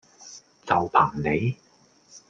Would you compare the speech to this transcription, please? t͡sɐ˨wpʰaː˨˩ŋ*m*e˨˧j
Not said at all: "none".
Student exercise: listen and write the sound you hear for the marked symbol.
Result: n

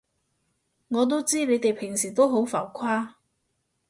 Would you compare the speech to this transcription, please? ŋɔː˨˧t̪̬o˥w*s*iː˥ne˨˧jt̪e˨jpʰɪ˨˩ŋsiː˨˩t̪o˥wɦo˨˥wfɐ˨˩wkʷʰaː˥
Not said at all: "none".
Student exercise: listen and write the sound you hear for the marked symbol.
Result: t͡s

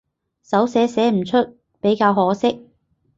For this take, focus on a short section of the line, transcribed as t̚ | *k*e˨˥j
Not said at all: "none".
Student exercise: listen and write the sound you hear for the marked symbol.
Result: p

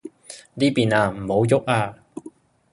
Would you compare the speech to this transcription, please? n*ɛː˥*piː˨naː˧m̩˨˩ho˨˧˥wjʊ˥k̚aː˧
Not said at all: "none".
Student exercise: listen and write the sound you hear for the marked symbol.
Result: iː˥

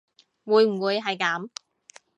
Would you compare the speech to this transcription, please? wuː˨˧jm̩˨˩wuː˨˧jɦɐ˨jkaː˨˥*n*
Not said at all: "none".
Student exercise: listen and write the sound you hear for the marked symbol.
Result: m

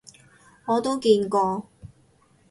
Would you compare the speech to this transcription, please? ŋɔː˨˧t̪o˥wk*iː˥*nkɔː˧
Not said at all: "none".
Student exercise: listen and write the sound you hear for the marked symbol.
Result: iː˧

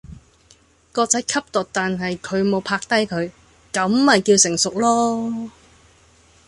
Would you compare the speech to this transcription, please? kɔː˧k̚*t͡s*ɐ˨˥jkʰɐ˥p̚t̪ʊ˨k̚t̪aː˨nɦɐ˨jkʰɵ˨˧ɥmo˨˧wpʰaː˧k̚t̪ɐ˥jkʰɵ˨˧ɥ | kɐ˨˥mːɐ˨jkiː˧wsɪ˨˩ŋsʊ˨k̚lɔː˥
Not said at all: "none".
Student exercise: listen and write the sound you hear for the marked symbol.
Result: t͡s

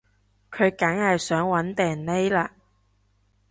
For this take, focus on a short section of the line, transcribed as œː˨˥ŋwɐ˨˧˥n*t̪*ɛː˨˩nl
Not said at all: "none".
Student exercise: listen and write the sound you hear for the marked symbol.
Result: t̪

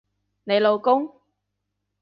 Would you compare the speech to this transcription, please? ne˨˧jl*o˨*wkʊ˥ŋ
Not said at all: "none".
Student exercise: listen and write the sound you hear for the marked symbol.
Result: o˨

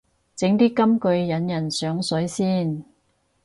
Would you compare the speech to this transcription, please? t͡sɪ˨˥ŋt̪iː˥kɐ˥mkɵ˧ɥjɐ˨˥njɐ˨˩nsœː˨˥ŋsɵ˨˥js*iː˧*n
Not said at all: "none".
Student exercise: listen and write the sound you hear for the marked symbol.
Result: iː˥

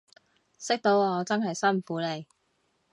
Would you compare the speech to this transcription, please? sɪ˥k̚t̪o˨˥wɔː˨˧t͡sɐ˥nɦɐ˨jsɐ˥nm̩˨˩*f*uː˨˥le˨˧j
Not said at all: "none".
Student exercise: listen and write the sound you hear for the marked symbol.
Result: f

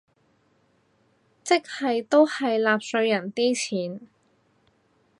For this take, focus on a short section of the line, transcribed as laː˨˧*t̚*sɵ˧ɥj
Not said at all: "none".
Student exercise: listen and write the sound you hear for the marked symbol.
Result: p̚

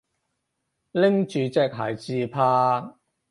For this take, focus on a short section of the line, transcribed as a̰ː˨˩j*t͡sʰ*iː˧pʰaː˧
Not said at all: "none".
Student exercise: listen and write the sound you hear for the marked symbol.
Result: t͡s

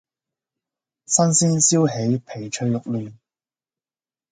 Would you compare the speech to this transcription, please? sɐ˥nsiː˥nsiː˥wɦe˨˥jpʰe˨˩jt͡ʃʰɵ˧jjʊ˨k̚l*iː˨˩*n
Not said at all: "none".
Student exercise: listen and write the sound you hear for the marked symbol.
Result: yː˨˩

